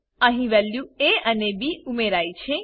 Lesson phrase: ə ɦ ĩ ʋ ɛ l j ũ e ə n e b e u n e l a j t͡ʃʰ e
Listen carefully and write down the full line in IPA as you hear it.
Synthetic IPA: ə ɦ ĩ ʋ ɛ l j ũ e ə n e b i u m e ɾ a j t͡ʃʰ e